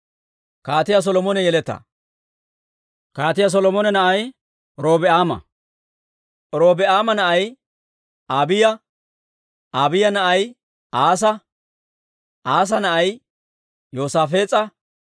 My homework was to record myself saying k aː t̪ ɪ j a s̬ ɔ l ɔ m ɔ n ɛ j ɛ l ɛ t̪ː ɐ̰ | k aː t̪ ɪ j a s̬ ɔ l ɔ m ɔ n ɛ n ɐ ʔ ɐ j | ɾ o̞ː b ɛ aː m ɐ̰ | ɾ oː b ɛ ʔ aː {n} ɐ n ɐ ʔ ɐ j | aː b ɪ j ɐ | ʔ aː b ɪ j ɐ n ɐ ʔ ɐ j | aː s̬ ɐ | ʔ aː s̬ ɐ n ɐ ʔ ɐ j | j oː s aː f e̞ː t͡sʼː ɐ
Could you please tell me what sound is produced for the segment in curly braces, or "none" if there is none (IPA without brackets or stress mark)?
m